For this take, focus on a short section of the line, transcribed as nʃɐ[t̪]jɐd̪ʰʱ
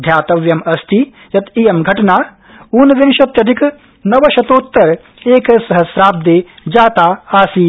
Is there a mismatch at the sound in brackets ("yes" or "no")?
no